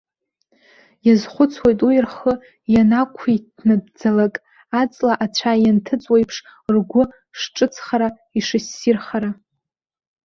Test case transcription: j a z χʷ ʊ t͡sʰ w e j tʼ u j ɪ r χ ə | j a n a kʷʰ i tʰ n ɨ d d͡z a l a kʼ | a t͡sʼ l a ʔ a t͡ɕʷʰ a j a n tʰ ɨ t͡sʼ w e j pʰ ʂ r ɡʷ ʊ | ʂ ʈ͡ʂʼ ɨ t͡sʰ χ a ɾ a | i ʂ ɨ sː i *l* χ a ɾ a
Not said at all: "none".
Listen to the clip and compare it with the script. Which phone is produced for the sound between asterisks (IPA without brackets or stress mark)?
r